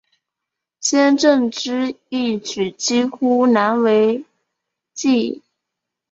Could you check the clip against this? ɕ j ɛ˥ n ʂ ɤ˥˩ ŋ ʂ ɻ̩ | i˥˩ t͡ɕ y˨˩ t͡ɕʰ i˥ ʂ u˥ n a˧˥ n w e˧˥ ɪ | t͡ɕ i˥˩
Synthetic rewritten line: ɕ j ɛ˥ n ʈ͡ʂ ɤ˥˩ ŋ ʈ͡ʂ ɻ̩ | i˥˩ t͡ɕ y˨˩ t͡ɕ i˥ x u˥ n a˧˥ n w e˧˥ ɪ | t͡ɕ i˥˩

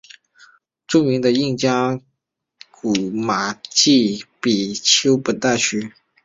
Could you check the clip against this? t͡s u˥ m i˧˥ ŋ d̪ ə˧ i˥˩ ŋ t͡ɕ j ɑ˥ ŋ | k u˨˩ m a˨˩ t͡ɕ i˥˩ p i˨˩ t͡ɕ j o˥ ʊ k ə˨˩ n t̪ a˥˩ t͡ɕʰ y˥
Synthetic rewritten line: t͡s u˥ m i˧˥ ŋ d̪ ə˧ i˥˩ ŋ t͡ɕ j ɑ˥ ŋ | k u˨˩ m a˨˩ t͡ɕ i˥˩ p i˨˩ t͡ɕʰ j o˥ ʊ p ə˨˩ n t̪ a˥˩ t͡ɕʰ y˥

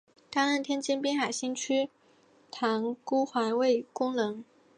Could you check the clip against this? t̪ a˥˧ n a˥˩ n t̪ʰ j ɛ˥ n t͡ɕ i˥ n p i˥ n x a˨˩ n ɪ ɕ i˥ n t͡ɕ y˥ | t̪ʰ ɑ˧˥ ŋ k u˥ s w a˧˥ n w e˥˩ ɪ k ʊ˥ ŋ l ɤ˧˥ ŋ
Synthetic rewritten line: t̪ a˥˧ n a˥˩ n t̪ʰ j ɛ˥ n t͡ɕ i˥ n p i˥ n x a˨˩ ɪ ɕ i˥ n t͡ɕʰ y˥ | t̪ʰ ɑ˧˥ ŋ k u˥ x w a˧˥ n w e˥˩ ɪ k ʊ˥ ŋ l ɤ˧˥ ŋ

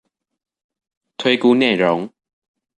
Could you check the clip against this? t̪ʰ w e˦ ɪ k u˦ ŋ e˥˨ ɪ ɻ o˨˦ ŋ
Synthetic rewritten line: t̪ʰ w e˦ ɪ k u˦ n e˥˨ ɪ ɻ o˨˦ ŋ

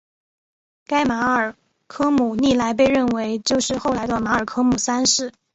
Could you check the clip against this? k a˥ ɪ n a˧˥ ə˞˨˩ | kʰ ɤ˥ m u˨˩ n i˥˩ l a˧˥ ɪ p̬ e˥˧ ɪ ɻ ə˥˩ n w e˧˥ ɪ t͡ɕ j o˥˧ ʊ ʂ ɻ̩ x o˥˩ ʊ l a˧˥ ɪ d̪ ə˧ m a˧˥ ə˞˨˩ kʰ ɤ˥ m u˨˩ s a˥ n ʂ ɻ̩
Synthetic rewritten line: k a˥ ɪ m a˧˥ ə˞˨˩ | kʰ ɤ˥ m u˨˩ n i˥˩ l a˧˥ ɪ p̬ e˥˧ ɪ ɻ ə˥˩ n w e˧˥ ɪ t͡ɕ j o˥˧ ʊ ʂ ɻ̩ x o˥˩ ʊ l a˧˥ ɪ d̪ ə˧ m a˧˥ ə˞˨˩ kʰ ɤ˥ m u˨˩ s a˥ n ʂ ɻ̩

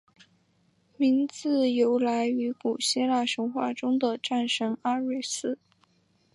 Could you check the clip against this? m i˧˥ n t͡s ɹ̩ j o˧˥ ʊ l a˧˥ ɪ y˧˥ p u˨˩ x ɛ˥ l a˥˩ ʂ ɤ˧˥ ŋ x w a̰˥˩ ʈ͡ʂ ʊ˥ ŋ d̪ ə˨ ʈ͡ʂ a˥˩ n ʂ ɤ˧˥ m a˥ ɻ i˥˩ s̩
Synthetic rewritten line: m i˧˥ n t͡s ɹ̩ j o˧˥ ʊ l a˧˥ ɪ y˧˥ k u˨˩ ɕ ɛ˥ l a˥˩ ʂ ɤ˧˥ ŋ x w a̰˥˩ ʈ͡ʂ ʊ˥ ŋ d̪ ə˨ ʈ͡ʂ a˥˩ n ʂ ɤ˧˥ ŋ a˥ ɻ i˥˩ s̩

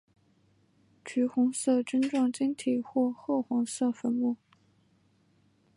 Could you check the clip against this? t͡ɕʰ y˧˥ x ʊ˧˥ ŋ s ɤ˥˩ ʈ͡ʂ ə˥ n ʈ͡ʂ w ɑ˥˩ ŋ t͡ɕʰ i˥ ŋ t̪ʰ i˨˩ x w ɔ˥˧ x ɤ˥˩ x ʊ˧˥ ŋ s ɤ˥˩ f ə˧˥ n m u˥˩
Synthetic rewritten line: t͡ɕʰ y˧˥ x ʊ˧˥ ŋ s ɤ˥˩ ʈ͡ʂ ə˥ n ʈ͡ʂ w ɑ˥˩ ŋ t͡ɕ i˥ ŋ t̪ʰ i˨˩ x w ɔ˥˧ x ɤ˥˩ x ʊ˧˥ ŋ s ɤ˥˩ f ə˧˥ n m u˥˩

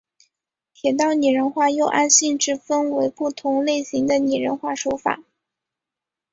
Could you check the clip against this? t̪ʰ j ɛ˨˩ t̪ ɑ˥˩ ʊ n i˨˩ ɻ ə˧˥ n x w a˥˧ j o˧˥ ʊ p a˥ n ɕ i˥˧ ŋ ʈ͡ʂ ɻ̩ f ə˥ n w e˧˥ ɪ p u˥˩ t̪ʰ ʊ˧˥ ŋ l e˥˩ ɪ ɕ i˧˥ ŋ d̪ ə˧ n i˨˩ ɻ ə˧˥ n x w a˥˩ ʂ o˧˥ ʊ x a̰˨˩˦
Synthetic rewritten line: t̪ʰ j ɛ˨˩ t̪ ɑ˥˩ ʊ n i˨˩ ɻ ə˧˥ n x w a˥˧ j o˥˧ ʊ ʔ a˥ n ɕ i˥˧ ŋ ʈ͡ʂ ɻ̩ f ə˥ n w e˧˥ ɪ p u˥˩ t̪ʰ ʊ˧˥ ŋ l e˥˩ ɪ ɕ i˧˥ ŋ d̪ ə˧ n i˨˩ ɻ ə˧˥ n x w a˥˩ ʂ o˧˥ ʊ f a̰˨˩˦

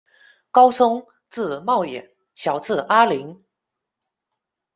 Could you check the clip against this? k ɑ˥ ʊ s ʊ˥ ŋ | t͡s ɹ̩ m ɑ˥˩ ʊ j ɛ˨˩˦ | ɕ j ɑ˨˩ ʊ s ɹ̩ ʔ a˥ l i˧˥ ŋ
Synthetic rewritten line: k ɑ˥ ʊ s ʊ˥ ŋ | t͡s ɹ̩ m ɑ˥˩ ʊ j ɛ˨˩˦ | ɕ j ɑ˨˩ ʊ t͡s ɹ̩ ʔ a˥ l i˧˥ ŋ

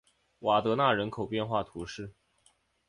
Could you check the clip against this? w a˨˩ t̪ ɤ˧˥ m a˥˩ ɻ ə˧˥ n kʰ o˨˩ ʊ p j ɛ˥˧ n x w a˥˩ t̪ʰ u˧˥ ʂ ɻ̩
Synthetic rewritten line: w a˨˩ t̪ ɤ˧˥ n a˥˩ ɻ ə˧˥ n kʰ o˨˩ ʊ p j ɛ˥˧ n x w a˥˩ t̪ʰ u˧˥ ʂ ɻ̩

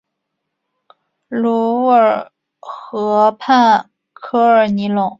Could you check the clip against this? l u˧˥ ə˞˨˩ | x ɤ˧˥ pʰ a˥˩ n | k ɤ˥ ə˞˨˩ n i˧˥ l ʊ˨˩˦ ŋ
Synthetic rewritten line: l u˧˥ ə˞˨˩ | x ɤ˧˥ pʰ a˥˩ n | kʰ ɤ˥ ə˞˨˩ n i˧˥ l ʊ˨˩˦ ŋ

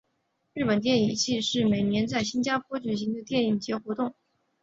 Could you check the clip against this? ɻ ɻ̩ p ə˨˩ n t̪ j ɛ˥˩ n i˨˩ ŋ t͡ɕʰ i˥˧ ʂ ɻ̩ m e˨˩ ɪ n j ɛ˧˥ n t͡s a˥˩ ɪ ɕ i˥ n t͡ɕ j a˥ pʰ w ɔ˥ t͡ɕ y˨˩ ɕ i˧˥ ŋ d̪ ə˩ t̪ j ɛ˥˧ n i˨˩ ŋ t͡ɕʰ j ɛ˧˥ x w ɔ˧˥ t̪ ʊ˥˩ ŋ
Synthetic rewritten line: ɻ ɻ̩ p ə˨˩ n t̪ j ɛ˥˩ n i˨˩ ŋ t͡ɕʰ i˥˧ ʂ ɻ̩ m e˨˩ ɪ n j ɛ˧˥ n t͡s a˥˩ ɪ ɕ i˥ n t͡ɕ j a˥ pʰ w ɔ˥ t͡ɕ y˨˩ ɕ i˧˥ ŋ d̪ ə˧ t̪ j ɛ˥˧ n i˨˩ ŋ t͡ɕ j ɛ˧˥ x w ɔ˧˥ t̪ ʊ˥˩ ŋ

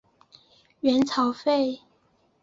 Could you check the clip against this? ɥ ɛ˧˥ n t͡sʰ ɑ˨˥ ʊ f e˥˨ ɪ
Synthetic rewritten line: ɥ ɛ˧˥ n t͡sʰ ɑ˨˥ ʊ f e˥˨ ɪ

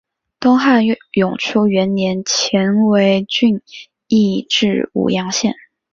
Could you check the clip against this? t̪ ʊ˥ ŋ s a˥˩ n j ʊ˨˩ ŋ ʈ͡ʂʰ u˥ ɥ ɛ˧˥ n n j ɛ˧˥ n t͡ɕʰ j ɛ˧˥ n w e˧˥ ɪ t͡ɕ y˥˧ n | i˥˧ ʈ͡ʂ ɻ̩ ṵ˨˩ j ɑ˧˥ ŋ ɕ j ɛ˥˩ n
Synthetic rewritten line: t̪ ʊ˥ ŋ x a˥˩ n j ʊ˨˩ ŋ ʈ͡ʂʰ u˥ ɥ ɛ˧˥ n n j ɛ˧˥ n t͡ɕʰ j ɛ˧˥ n w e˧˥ ɪ t͡ɕ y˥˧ n | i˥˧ ʈ͡ʂ ɻ̩ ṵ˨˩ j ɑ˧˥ ŋ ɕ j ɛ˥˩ n

